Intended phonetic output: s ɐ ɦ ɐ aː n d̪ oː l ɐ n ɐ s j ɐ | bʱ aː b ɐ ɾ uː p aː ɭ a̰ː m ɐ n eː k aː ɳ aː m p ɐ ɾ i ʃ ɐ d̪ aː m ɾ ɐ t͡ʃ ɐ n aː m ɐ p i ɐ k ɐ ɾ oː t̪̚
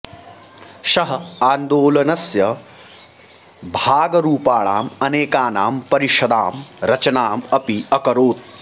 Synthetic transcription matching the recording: ʃ ɐ ɦ ɐ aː n d̪ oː l ɐ n ɐ s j ɐ | bʱ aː ɡ ɐ ɾ uː p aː ɭ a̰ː m ɐ n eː k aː n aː m p ɐ ɾ i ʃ ɐ d̪ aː m ɾ ɐ t͡ʃ ɐ n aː m ɐ p i ɐ k ɐ ɾ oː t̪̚

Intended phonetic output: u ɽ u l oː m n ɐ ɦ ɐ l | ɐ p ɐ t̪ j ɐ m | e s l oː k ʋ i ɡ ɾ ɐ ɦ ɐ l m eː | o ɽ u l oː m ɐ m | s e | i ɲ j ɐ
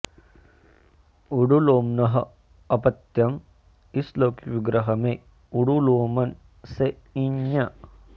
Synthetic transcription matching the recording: u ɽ u l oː m n ɐ ɦ ɐ | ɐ p ɐ t̪ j ɐ m | i s l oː k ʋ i ɡ ɾ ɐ ɦ ɐ m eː | u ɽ u l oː m ɐ n | s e | i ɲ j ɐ

